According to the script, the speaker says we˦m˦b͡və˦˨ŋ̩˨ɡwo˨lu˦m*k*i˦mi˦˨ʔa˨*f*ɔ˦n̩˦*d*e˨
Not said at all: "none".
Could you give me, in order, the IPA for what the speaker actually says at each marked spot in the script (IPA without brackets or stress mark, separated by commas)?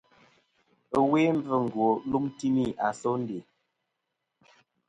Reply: t, s, d